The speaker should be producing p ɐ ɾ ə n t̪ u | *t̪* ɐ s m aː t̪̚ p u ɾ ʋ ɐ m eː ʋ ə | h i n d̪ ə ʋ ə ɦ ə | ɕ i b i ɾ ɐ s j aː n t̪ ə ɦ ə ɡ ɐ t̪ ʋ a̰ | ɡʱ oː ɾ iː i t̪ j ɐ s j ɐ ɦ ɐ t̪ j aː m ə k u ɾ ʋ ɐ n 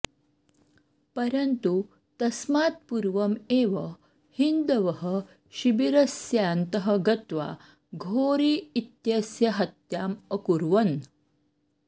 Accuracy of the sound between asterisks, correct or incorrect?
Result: correct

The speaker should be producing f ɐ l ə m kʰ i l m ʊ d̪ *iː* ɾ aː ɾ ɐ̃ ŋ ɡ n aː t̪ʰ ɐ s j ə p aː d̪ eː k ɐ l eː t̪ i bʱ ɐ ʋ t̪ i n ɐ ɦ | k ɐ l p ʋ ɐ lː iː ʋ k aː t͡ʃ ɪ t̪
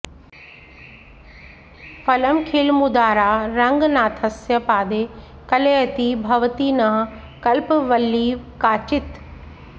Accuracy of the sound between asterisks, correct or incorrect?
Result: incorrect: aː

